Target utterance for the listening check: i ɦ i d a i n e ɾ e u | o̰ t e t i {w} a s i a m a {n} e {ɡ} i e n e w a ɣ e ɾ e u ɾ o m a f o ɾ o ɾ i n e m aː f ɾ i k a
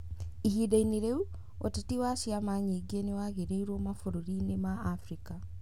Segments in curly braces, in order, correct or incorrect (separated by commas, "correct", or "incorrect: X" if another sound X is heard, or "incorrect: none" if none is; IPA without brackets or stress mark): correct, incorrect: ɲ, correct